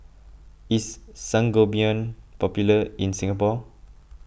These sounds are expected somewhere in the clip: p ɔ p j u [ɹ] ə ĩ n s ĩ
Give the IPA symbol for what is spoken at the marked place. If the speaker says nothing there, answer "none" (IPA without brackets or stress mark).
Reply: l